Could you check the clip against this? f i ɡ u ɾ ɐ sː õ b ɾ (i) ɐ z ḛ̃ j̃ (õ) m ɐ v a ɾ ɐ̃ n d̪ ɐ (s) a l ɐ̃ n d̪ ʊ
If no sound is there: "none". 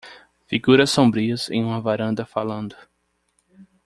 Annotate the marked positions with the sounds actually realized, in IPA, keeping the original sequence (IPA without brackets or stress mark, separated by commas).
i, ũ, f